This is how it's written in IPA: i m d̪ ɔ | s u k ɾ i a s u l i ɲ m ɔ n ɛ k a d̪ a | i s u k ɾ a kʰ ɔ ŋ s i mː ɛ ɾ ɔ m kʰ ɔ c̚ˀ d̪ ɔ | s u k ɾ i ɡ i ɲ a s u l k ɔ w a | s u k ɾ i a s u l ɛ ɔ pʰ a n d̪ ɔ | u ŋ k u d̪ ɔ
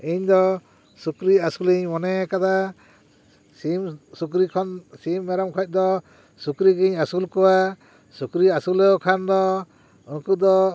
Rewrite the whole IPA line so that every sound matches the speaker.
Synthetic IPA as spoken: i ɲ d̪ ɔ | s u k ɾ i a s u l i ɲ m ɔ n ɛ k a d̪ a | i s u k ɾ i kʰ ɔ n s i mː ɛ ɾ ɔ m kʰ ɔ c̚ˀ d̪ ɔ | s u k ɾ i ɡ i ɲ a s u l k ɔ w a | s u k ɾ i a s u l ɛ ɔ kʰ a n d̪ ɔ | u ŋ k u d̪ ɔ